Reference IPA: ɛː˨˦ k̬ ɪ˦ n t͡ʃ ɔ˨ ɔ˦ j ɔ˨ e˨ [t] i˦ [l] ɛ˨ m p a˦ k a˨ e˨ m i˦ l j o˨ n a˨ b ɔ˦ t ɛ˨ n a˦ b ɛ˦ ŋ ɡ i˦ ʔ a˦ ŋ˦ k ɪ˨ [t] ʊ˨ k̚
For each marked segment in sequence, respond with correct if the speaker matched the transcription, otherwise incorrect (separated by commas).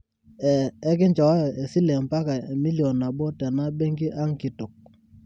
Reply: incorrect, correct, correct